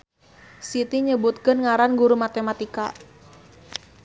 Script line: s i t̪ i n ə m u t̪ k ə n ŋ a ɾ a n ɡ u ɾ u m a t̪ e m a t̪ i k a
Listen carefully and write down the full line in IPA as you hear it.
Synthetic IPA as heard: s i t̪ i ɲ ə b u t̪ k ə n ŋ a ɾ a n ɡ u ɾ u m a t̪ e m a t̪ i k a